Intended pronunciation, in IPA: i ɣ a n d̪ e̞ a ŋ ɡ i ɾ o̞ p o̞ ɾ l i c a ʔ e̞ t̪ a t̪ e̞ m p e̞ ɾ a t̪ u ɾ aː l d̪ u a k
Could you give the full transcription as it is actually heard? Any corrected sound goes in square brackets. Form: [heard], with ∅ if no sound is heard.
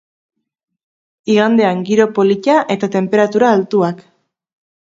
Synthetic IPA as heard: i ɣ a n d̪ e̞ a ŋ ɡ i ɾ o̞ p o̞ [∅] l i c a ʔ e̞ t̪ a t̪ e̞ m p e̞ ɾ a t̪ u ɾ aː l [t̪] u a k